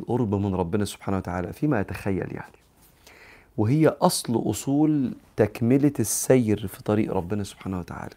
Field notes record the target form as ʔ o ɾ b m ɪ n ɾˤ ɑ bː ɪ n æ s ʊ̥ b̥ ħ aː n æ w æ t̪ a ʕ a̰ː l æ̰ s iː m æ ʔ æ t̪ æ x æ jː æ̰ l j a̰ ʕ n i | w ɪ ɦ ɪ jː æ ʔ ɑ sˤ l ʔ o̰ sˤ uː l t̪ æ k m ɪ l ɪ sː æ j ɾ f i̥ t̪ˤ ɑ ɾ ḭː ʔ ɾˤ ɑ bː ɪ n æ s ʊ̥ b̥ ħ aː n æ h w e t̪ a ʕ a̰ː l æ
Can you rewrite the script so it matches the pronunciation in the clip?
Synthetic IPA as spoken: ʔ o ɾ b m ɪ n ɾˤ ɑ bː ɪ n æ s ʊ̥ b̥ ħ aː n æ w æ t̪ a ʕ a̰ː l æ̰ f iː m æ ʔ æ t̪ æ x æ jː æ̰ l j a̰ ʕ n i | w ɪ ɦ ɪ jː æ ʔ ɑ sˤ l ʔ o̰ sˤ uː l t̪ æ k m ɪ l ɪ sː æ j ɾ f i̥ t̪ˤ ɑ ɾ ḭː ʔ ɾˤ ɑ bː ɪ n æ s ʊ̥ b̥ ħ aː n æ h w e t̪ a ʕ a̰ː l æ